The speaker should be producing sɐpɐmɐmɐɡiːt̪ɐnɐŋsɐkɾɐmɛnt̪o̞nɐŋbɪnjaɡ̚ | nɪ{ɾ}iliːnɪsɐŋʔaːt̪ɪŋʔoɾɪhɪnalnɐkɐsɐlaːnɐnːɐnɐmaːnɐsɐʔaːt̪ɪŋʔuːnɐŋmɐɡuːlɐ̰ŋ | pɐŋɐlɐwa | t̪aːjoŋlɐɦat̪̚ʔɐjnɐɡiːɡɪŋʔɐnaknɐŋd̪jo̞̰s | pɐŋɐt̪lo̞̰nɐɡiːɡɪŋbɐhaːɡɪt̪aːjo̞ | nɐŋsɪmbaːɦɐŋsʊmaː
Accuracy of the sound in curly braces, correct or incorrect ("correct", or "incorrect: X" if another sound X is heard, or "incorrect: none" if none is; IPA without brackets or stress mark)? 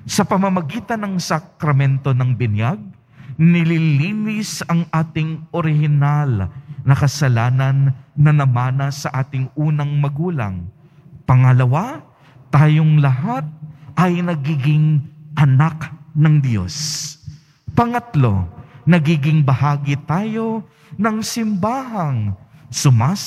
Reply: incorrect: l